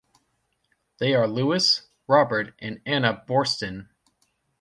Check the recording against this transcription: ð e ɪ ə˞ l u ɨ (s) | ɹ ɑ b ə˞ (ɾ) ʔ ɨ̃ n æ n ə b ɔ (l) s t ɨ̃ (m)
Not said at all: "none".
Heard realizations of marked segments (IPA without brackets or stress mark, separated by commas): s, ɾ, ɹ, n